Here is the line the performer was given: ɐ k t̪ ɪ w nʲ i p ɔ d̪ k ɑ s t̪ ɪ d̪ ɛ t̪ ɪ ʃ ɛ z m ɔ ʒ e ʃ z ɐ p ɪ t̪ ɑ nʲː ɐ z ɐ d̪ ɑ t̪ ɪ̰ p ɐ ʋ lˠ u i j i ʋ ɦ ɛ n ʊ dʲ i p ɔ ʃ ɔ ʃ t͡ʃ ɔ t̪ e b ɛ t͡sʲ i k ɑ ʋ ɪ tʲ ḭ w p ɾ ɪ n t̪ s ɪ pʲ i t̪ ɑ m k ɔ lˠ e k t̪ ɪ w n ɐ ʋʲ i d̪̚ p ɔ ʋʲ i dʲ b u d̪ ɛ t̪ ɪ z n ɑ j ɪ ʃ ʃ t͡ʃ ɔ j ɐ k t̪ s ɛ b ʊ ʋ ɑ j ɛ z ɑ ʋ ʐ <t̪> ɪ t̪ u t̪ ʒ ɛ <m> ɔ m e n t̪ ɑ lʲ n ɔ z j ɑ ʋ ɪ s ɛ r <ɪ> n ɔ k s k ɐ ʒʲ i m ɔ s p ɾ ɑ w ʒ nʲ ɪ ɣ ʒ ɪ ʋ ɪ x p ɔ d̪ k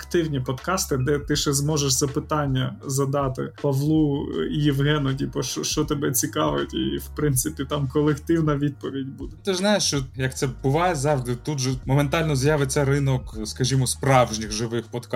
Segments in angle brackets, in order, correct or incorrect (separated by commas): incorrect, correct, correct